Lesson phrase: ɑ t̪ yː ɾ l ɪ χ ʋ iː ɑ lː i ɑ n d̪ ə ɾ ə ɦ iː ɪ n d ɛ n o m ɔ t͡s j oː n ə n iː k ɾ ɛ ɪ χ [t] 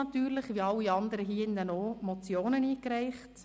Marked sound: correct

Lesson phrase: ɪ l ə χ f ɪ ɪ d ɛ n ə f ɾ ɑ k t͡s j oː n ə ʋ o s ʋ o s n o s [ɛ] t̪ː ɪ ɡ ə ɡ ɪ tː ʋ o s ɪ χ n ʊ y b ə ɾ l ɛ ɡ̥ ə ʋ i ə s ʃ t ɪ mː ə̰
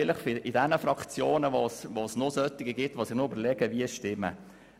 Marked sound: incorrect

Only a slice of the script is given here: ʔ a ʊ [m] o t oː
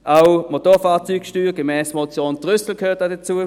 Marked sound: correct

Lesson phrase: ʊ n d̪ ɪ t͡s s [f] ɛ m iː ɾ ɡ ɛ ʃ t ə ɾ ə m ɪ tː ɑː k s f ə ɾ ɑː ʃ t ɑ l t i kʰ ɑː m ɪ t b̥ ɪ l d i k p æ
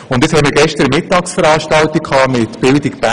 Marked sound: incorrect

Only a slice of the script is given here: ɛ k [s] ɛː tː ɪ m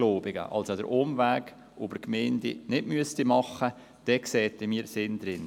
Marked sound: correct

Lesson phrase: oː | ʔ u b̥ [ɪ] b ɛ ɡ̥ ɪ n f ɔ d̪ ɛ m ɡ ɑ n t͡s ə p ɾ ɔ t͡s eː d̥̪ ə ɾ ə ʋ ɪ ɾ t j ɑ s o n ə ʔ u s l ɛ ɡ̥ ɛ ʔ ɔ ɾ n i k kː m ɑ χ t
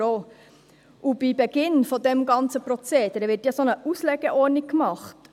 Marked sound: incorrect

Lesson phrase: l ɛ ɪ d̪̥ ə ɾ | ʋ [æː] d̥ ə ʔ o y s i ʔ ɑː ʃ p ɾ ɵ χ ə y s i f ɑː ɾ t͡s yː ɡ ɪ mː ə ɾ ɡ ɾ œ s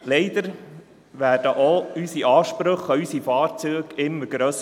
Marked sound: correct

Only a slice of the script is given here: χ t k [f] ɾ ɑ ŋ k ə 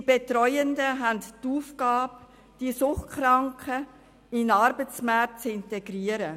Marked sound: incorrect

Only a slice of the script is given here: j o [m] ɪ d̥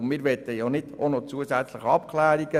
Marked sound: incorrect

